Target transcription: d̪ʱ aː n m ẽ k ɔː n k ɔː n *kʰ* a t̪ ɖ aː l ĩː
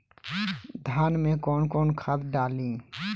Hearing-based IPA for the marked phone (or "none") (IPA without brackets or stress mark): kʰ